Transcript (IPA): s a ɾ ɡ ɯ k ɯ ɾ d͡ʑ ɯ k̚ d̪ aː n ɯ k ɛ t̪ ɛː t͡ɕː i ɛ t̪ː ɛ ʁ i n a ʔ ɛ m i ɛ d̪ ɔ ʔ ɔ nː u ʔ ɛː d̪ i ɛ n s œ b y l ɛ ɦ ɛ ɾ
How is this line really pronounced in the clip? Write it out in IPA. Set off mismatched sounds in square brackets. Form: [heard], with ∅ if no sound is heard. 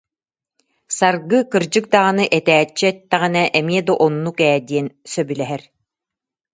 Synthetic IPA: s a ɾ ɡ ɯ k ɯ ɾ d͡ʑ ɯ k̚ d̪ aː n ɯ [ʔ] ɛ t̪ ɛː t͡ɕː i ɛ t̪ː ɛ ʁ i n [ɛ] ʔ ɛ m i ɛ d̪ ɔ ʔ ɔ nː u [k] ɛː d̪ i ɛ n s œ b y l ɛ ɦ ɛ ɾ